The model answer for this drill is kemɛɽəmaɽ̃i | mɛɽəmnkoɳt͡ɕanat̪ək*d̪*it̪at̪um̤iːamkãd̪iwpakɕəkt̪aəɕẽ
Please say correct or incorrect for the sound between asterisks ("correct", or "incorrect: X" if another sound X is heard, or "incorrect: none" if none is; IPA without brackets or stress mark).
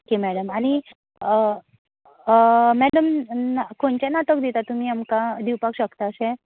correct